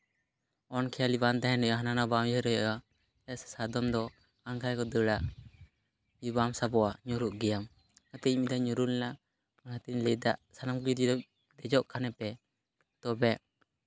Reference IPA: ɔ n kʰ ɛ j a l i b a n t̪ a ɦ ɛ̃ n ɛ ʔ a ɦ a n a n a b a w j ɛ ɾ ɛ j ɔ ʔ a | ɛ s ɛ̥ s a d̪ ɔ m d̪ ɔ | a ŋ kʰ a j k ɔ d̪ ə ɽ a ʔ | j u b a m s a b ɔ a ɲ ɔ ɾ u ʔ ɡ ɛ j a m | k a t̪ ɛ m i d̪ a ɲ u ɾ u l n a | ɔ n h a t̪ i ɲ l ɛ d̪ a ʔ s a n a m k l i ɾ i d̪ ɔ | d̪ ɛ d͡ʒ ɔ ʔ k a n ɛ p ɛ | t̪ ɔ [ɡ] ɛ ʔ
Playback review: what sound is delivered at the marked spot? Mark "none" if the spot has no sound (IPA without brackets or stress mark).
b